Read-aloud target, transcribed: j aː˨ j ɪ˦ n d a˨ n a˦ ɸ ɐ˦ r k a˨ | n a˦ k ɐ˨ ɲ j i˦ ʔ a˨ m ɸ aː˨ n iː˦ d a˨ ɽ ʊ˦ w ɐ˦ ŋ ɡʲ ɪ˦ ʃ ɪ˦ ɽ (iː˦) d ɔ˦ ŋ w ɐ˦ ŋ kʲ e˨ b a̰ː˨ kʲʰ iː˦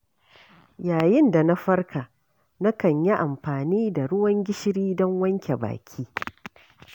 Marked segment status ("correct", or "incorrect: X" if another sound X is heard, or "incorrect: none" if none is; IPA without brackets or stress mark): correct